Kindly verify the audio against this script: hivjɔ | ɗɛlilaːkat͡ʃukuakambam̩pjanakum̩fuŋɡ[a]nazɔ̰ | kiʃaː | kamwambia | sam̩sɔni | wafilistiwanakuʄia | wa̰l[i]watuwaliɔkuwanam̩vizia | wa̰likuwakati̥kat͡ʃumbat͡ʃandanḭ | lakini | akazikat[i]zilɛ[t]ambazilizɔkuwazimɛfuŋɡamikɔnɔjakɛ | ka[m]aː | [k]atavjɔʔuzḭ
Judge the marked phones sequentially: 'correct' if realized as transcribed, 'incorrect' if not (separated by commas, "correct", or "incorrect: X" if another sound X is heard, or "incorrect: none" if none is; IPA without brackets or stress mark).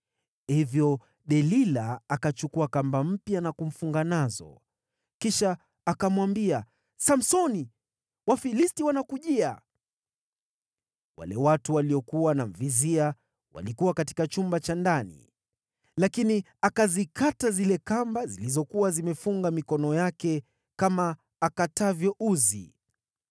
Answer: correct, incorrect: ɛ, incorrect: a, incorrect: k, correct, correct